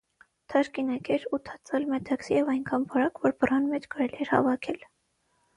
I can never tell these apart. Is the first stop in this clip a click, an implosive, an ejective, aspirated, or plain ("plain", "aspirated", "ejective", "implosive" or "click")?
aspirated